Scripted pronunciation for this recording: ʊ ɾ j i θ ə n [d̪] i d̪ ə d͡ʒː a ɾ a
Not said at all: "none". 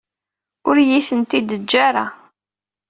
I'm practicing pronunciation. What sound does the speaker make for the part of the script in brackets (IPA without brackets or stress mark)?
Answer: t̪